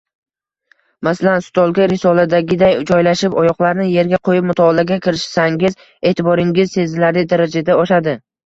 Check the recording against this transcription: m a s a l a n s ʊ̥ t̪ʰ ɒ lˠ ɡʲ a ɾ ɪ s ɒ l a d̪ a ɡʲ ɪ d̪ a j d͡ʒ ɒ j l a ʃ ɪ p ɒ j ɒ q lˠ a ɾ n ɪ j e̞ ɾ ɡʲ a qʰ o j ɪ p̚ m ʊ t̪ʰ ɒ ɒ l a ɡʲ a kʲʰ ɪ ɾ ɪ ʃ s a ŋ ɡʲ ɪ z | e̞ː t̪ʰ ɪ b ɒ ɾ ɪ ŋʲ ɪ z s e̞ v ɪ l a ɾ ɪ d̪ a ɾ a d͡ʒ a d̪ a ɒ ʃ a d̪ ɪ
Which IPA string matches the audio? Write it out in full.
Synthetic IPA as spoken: m a s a l a n s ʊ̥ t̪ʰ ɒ lˠ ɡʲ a ɾ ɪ s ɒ l a d̪ a ɡʲ ɪ d̪ a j d͡ʒ ɒ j l a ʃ ɪ p ɒ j ɒ q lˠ a ɾ n ɪ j e̞ ɾ ɡʲ a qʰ o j ɪ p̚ m ʊ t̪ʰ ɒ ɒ l a ɡʲ a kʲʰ ɪ ɾ ɪ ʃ s a ŋ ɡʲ ɪ z | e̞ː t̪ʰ ɪ b ɒ ɾ ɪ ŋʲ ɪ z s e̞ z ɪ l a ɾ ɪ d̪ a ɾ a d͡ʒ a d̪ a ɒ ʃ a d̪ ɪ